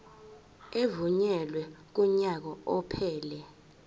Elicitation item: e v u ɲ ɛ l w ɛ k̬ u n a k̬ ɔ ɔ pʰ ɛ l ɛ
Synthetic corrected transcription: e v u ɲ ɛ l w ɛ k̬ u ɲ a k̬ ɔ ɔ pʰ ɛː l ɛ